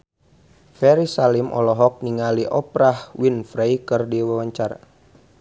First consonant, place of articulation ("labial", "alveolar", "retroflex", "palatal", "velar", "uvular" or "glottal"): labial